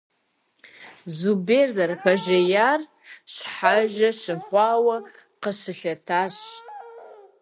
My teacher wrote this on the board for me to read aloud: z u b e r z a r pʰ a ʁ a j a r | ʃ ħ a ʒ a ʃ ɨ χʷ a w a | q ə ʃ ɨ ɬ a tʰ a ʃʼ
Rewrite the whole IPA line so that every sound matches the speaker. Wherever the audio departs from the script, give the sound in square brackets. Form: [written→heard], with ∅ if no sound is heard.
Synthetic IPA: z u b e r z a r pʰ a [ʁ→ʒ] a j a r | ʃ ħ a ʒ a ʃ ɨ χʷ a w a | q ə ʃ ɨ ɬ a tʰ a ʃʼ

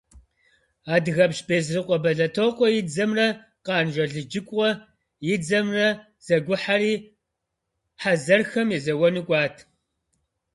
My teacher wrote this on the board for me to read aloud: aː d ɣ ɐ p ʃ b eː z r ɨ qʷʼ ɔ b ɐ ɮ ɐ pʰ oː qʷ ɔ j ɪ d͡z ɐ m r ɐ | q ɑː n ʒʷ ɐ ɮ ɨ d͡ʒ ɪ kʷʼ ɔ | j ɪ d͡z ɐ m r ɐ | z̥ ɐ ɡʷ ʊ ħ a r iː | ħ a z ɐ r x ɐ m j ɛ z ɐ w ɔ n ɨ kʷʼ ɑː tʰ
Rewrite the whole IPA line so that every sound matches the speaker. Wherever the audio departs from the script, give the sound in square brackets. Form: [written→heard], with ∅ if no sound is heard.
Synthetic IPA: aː d ɣ ɐ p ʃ b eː z r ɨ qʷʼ ɔ b ɐ ɮ ɐ [pʰ→tʰ] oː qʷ ɔ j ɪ d͡z ɐ m r ɐ | q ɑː n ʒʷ ɐ ɮ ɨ d͡ʒ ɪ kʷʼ ɔ | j ɪ d͡z ɐ m r ɐ | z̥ ɐ ɡʷ ʊ ħ a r iː | ħ a z ɐ r x ɐ m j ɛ z ɐ w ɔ n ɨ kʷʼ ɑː tʰ

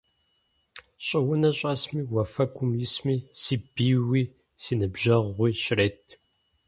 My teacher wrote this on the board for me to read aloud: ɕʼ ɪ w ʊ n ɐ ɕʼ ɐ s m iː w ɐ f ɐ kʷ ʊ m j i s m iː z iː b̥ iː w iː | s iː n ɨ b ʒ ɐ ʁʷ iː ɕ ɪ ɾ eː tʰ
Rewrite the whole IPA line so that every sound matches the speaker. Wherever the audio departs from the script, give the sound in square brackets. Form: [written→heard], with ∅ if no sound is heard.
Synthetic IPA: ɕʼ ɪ w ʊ n ɐ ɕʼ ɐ s m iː w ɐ f ɐ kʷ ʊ m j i s m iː [z→s] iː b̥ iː w iː | s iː n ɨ b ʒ ɐ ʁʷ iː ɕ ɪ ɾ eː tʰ

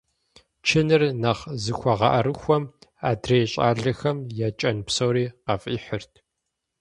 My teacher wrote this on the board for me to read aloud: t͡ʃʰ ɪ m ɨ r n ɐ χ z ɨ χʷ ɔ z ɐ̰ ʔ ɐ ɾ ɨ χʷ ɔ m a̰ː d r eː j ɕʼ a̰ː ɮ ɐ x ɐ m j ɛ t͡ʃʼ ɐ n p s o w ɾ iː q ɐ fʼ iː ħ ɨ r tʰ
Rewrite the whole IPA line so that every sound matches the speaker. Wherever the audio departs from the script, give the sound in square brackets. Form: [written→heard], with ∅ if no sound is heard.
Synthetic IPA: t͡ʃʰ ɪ [m→n] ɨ r n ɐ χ z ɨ [χʷ→xʷ] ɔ [z→ʁ] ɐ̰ ʔ ɐ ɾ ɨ [χʷ→xʷ] ɔ m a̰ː d r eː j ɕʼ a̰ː ɮ ɐ x ɐ m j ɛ t͡ʃʼ ɐ n p s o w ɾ iː q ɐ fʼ iː ħ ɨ r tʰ

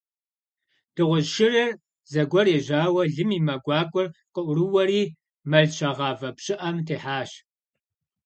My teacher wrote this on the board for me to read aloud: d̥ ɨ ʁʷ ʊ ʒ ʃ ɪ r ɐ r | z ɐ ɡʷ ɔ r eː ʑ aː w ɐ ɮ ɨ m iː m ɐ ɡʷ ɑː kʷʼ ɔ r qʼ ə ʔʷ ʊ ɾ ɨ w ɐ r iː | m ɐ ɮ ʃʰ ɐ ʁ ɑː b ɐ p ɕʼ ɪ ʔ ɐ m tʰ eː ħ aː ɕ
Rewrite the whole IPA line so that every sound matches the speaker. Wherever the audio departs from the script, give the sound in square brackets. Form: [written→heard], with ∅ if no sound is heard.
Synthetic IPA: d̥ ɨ ʁʷ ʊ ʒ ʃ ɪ r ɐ r | z ɐ ɡʷ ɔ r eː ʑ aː w ɐ ɮ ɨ m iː m ɐ ɡʷ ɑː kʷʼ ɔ r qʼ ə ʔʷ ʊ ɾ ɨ w ɐ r iː | m ɐ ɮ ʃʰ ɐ ʁ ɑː [b→v] ɐ p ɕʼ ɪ ʔ ɐ m tʰ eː ħ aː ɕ

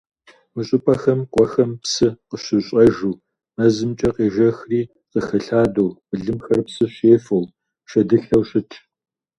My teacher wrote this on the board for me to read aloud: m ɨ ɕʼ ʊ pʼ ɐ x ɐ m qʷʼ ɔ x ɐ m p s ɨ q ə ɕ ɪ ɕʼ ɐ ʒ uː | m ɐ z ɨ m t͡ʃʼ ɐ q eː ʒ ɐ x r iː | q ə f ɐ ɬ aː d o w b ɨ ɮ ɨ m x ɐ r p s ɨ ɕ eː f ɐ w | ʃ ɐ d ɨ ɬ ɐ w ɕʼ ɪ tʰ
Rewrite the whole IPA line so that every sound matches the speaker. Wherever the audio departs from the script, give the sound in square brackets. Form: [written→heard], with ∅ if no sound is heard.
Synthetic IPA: m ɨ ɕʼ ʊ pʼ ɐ x ɐ m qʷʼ ɔ x ɐ m p s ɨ q ə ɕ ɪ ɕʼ ɐ ʒ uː | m ɐ z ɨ m t͡ʃʼ ɐ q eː ʒ ɐ x r iː | q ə [f→x] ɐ ɬ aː d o w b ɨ ɮ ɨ m x ɐ r p s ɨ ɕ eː f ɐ w | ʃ ɐ d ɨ ɬ ɐ w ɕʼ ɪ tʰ

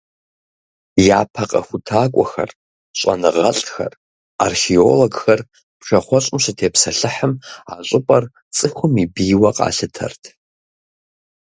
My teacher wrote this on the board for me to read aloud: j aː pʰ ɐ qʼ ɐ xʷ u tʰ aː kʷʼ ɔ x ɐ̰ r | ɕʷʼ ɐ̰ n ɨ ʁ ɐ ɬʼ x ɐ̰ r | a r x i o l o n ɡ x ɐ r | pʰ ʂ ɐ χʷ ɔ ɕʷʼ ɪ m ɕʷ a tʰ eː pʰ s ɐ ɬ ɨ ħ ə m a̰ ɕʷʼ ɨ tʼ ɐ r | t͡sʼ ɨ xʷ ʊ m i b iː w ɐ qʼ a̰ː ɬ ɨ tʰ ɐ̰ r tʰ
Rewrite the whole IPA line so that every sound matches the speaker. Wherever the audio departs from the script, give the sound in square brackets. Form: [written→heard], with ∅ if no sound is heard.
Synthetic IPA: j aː pʰ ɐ qʼ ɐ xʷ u tʰ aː kʷʼ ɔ x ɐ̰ r | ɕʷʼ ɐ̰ n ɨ ʁ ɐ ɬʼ x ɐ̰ r | a r x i o l o [n→∅] ɡ x ɐ r | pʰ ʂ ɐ χʷ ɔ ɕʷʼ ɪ m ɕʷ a tʰ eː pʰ s ɐ ɬ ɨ ħ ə m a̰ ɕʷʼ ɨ [tʼ→pʼ] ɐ r | t͡sʼ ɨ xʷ ʊ m i b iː w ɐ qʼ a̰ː ɬ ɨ tʰ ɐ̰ r tʰ

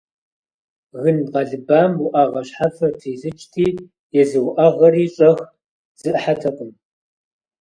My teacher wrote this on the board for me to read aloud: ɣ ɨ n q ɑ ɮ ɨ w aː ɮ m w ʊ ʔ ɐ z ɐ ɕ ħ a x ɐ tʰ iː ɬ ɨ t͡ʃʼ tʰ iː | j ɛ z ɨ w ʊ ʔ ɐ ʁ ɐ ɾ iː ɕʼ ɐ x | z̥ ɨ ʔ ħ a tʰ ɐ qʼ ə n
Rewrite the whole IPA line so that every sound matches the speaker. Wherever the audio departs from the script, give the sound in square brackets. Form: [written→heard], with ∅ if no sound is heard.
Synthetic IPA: ɣ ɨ n q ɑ ɮ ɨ [w→b] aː [ɮ→∅] m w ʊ ʔ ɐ [z→ʁ] ɐ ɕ ħ a [x→f] ɐ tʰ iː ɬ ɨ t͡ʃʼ tʰ iː | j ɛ z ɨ w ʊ ʔ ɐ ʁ ɐ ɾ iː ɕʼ ɐ x | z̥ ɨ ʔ ħ a tʰ ɐ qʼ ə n

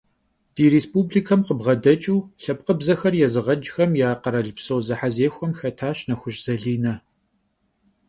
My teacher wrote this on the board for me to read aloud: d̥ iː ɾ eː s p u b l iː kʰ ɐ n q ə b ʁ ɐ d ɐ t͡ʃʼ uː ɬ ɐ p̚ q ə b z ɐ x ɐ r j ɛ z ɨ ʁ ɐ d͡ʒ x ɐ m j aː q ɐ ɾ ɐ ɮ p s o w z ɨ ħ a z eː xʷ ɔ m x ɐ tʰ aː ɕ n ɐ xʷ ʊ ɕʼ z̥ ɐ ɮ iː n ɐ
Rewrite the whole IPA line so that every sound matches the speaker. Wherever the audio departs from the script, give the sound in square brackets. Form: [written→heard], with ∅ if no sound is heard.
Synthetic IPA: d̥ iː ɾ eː s p u b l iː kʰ ɐ [n→m] q ə b ʁ ɐ d ɐ t͡ʃʼ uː ɬ ɐ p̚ q ə b z ɐ x ɐ r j ɛ z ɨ ʁ ɐ d͡ʒ x ɐ m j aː q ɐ ɾ ɐ ɮ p s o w z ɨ ħ a z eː xʷ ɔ m x ɐ tʰ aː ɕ n ɐ xʷ ʊ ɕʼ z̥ ɐ ɮ iː n ɐ

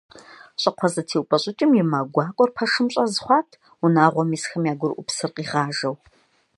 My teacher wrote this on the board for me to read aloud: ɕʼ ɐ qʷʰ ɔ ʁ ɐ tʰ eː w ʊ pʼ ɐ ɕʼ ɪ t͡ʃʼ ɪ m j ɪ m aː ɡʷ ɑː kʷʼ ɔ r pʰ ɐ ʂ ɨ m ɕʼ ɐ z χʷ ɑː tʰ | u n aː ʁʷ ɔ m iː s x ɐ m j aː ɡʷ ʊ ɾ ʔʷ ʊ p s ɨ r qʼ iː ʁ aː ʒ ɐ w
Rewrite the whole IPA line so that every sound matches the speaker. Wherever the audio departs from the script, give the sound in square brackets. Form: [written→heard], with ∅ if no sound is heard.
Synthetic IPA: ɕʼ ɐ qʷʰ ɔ [ʁ→z] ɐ tʰ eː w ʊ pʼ ɐ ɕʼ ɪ t͡ʃʼ ɪ m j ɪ m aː ɡʷ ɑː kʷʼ ɔ r pʰ ɐ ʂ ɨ m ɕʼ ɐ z χʷ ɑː tʰ | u n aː ʁʷ ɔ m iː s x ɐ m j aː ɡʷ ʊ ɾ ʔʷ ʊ p s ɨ r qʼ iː ʁ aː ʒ ɐ w

